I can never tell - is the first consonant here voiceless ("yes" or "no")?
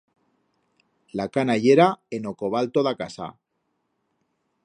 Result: no